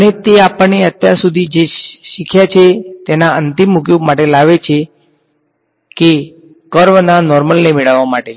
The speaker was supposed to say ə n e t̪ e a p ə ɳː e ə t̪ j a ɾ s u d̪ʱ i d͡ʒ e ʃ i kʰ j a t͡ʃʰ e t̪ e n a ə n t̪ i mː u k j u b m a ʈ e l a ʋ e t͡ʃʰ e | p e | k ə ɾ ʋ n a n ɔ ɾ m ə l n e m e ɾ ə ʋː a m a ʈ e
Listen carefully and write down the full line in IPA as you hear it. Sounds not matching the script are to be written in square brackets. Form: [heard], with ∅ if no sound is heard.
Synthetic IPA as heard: ə n e t̪ e a p ə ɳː e ə t̪ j a ɾ s u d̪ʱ i d͡ʒ e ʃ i kʰ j a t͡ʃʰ e t̪ e n a ə n t̪ i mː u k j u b m a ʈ e l a ʋ e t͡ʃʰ e | [k] e | k ə ɾ ʋ n a n ɔ ɾ m ə l n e m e [ɭ] ə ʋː a m a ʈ e